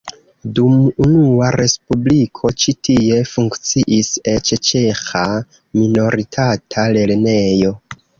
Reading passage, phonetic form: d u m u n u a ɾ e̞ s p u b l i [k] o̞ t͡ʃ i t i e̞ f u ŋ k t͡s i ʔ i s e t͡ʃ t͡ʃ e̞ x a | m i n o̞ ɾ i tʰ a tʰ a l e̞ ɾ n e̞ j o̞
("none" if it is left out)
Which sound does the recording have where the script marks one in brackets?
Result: kʰ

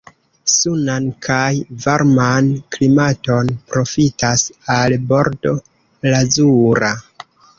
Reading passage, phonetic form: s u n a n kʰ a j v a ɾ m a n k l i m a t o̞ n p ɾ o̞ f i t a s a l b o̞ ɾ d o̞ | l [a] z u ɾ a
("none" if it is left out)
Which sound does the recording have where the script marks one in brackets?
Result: a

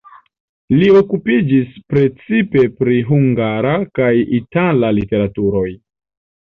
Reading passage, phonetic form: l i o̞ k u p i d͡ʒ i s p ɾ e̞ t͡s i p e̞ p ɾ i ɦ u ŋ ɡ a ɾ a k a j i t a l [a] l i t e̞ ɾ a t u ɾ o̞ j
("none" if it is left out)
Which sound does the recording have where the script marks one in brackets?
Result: a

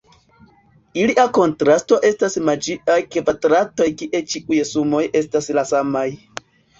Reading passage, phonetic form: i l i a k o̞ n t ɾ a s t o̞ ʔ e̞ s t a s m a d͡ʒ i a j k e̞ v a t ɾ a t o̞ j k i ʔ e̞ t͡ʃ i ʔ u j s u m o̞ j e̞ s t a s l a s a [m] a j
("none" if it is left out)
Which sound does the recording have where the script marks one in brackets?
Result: m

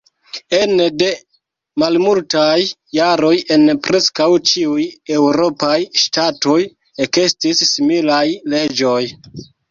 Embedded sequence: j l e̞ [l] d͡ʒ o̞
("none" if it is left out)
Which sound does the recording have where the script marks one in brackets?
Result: none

